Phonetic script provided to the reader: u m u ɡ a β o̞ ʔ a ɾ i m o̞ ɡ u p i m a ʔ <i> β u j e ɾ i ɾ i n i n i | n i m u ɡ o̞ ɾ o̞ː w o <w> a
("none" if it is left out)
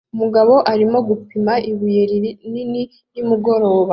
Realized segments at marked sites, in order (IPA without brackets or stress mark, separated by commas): i, β